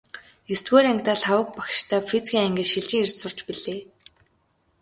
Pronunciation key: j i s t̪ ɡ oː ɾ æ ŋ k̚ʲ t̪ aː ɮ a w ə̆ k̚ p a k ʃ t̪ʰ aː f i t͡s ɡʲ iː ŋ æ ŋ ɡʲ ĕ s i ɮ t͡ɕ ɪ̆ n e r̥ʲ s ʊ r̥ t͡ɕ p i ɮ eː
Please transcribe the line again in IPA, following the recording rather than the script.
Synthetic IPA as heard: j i s t̪ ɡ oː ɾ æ ŋ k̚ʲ t̪ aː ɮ a w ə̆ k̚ p a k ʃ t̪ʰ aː f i t͡s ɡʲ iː ŋ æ ŋ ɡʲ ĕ ʃ i ɮ t͡ɕ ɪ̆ ŋ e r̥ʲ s ʊ r̥ t͡ɕ p i ɮ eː